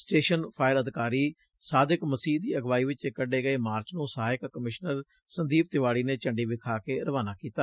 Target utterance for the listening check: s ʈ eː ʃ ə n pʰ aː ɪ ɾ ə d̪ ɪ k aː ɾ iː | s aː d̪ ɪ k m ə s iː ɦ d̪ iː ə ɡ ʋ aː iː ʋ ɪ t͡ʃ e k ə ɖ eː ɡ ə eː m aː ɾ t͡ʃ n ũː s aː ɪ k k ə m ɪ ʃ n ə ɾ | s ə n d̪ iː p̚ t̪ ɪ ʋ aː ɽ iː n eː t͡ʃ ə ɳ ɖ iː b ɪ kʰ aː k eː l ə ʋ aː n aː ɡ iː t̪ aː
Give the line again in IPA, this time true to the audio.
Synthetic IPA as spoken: s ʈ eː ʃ ə n pʰ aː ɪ ɾ ə d̪ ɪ k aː ɾ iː | s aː d̪ ɪ k m ə s iː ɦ d̪ iː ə ɡ ʋ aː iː ʋ ɪ t͡ʃ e k ə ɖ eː ɡ ə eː m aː ɾ t͡ʃ n ũː s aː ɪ k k ə m ɪ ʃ n ə ɾ | s ə n d̪ iː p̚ t̪ ɪ ʋ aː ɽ iː n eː t͡ʃ ə ɳ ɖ iː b ɪ kʰ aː k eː ɾ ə ʋ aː n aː k iː t̪ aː

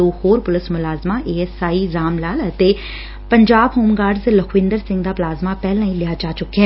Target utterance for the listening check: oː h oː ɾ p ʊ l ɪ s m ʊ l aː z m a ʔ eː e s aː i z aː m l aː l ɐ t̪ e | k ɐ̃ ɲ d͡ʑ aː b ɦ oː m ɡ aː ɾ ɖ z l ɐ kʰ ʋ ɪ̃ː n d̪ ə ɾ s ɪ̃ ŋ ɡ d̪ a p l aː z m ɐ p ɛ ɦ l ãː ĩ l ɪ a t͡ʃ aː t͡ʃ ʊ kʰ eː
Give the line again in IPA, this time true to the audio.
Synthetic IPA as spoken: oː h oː ɾ p ʊ l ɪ s m ʊ l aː z m a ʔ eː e s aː i z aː m l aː l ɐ t̪ e | p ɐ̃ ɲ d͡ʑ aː b ɦ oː m ɡ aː ɾ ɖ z l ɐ kʰ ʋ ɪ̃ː n d̪ ə ɾ s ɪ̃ ŋ ɡ d̪ a p l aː z m a p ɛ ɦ l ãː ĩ l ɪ a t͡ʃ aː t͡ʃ ʊ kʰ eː

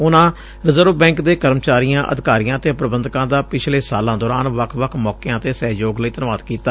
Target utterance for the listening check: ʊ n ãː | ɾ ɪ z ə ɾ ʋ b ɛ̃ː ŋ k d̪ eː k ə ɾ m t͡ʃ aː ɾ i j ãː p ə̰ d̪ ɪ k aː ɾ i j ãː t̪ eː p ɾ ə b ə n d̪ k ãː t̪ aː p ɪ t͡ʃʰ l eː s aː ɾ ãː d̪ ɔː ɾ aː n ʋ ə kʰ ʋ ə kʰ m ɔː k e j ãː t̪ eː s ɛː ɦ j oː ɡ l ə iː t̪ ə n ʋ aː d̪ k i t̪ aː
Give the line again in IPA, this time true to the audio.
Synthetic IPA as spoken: ʊ n ãː | ɾ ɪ z ə ɾ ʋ b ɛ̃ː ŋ k d̪ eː k ə ɾ m t͡ʃ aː ɾ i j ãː ʔ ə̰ d̪ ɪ k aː ɾ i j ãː t̪ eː p ɾ ə b ə n d̪ k ãː d̪ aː p ɪ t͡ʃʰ l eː s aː l ãː d̪ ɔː ɾ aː n ʋ ə kʰ ʋ ə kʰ m ɔː k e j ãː t̪ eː s ɛː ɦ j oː ɡ l ə iː t̪ ə n ʋ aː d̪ k iː t̪ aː

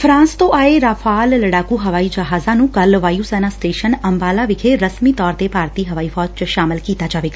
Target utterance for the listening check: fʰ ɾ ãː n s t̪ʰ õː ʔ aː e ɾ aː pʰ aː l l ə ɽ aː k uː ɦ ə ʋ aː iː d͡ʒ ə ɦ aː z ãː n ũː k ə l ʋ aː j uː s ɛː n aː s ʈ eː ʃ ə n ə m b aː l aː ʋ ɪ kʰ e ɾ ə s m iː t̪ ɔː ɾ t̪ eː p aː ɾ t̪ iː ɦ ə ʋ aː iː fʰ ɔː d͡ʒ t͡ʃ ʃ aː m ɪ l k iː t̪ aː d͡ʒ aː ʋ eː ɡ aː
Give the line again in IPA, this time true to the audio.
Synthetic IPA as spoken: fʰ ɾ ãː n s t̪ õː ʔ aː e ɾ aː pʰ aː l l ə ɽ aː k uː ɦ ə ʋ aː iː d͡ʒ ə ɦ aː z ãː n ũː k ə l ʋ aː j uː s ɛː n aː s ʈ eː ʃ ə n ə m b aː l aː ʋ ɪ kʰ e ɾ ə s m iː t̪ ɔː ɾ t̪ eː p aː ɾ t̪ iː ɦ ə ʋ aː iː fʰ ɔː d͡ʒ t͡ʃ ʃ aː m ɪ l k iː t̪ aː d͡ʒ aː ʋ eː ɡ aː

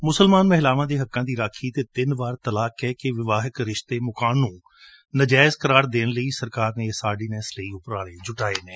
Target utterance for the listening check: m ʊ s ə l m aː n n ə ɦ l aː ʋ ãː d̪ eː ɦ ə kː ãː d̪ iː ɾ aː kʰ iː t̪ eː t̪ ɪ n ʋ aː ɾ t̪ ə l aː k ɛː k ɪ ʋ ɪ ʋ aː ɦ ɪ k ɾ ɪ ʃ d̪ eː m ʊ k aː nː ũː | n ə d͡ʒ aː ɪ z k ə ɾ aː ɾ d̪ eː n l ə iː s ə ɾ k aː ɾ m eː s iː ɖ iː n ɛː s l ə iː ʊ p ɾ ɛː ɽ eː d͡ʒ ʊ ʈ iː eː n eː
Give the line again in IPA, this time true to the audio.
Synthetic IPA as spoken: m ʊ s ə l m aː n m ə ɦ l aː ʋ ãː d̪ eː ɦ ə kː ãː d̪ iː ɾ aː kʰ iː t̪ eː t̪ ɪ n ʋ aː ɾ t̪ ə l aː k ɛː k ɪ ʋ ɪ ʋ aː ɦ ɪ k ɾ ɪ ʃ t̪ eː m ʊ k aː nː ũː | n ə d͡ʒ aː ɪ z k ə ɾ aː ɾ d̪ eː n l ə iː s ə ɾ k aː ɾ n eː s aː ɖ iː n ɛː s l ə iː ʊ p ɾ aː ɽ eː d͡ʒ ʊ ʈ aː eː n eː

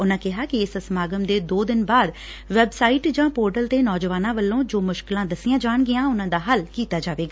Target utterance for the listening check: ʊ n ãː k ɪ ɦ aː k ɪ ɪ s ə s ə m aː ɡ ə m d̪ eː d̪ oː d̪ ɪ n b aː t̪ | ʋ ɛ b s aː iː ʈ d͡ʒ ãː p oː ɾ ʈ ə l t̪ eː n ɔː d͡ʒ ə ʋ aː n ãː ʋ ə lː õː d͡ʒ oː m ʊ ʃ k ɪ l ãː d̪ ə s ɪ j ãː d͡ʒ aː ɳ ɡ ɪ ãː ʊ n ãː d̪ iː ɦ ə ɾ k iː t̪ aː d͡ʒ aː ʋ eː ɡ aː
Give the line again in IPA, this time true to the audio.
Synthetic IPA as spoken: ʊ n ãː k ɪ ɦ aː k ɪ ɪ s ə s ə m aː ɡ ə m d̪ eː d̪ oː d̪ ɪ n b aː d̪ | ʋ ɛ b s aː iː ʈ d͡ʒ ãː p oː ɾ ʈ ə l t̪ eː n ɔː d͡ʒ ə ʋ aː n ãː ʋ ə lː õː d͡ʒ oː m ʊ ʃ k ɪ l ãː d̪ ə s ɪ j ãː d͡ʒ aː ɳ ɡ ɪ ãː ʊ n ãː d̪ aː ɦ ə l k iː t̪ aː d͡ʒ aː ʋ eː ɡ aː

